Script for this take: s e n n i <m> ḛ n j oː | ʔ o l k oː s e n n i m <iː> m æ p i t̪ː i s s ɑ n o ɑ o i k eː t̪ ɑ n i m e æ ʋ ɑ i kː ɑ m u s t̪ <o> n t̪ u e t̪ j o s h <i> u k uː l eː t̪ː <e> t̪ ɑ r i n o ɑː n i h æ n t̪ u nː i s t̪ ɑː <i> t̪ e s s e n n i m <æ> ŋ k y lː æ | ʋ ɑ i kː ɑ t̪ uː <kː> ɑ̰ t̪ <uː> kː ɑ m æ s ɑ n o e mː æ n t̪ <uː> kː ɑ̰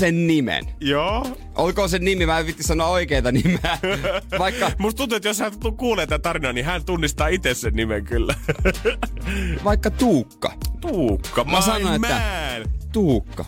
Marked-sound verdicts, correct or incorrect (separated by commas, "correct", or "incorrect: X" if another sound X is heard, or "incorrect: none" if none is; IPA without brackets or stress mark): correct, incorrect: i, incorrect: u, incorrect: æ, incorrect: æ, correct, incorrect: e, correct, correct, correct